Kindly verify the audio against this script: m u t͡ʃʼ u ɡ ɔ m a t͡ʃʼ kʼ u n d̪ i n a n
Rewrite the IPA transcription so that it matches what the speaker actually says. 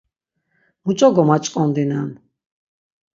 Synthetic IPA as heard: m u t͡ʃʼ ɔ ɡ ɔ m a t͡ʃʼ kʼ ɔ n d̪ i n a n